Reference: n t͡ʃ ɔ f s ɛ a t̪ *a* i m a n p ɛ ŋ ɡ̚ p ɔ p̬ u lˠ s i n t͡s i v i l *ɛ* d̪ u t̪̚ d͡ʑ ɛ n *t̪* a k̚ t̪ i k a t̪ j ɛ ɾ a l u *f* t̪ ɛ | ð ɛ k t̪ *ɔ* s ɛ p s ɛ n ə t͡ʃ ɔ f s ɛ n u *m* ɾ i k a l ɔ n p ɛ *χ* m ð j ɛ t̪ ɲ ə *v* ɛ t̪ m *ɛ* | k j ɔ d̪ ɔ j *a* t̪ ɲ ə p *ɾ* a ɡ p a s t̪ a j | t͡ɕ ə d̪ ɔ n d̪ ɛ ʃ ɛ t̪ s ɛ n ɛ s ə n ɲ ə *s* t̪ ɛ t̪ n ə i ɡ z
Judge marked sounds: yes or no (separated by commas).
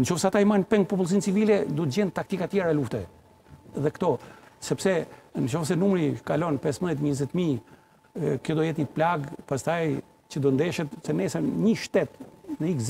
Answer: yes, yes, yes, yes, yes, yes, no, no, no, no, no, no